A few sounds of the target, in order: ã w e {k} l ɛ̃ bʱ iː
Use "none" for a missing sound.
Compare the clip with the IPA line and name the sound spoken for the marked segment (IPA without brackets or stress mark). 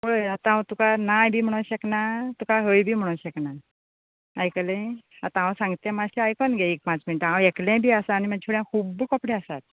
k